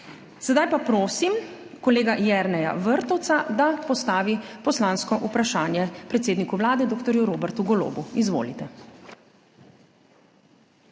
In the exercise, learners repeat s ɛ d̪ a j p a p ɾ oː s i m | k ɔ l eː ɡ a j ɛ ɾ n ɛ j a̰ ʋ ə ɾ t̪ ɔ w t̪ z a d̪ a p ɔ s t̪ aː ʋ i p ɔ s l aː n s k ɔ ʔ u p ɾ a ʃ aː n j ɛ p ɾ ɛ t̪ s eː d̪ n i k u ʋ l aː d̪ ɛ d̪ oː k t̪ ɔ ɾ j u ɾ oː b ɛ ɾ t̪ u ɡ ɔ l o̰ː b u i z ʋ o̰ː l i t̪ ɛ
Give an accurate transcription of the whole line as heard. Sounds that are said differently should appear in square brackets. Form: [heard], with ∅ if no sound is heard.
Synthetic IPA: s ɛ d̪ a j p a p ɾ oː s i m | k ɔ l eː ɡ a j ɛ ɾ n ɛ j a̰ ʋ ə ɾ t̪ ɔ w t̪ [s] a d̪ a p ɔ s t̪ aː ʋ i p ɔ s l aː n s k ɔ ʔ u p ɾ a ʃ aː n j ɛ p ɾ ɛ t̪ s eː d̪ n i k u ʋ l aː d̪ ɛ d̪ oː k t̪ ɔ ɾ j u ɾ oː b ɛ ɾ t̪ u ɡ ɔ l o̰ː b u i z ʋ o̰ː l i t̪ ɛ